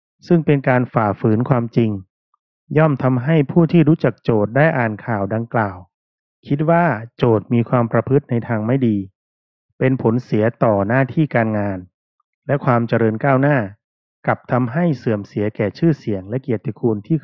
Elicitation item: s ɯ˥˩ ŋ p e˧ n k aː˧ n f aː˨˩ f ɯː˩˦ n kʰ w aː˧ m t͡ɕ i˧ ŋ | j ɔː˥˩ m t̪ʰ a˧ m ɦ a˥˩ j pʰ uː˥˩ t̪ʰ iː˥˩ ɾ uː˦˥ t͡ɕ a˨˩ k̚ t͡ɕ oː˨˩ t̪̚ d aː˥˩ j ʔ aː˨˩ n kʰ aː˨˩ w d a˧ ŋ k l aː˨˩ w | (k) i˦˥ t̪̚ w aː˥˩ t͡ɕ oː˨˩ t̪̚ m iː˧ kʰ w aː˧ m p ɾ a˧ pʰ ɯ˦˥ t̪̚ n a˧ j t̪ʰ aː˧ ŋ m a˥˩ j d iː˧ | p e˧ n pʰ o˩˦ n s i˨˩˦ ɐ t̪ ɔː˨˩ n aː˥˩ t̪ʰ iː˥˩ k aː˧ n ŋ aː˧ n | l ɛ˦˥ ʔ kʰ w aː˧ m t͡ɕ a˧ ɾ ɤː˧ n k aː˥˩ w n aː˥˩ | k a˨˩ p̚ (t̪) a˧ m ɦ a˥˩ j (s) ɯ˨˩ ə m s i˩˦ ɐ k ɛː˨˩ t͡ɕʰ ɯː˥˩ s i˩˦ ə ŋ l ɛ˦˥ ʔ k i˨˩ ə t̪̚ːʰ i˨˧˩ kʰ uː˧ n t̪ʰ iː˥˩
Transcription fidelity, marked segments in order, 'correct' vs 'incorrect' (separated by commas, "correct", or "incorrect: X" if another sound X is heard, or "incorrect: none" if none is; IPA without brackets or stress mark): incorrect: kʰ, incorrect: t̪ʰ, correct